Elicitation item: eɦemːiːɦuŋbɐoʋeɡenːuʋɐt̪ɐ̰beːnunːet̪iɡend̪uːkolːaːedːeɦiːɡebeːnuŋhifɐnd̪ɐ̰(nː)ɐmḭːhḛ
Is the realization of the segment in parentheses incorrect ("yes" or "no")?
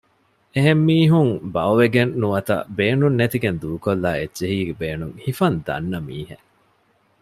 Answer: no